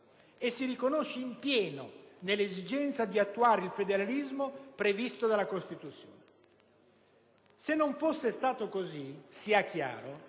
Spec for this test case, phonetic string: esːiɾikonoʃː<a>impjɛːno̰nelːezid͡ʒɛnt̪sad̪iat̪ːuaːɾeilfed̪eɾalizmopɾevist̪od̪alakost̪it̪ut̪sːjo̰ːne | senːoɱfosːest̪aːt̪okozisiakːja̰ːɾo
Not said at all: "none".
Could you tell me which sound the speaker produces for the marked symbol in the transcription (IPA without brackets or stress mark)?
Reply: e